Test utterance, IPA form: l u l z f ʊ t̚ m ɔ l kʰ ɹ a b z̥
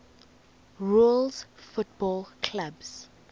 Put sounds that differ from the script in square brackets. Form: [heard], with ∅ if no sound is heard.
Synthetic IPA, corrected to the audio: [ɹ] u l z f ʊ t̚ [b] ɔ l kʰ [l] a b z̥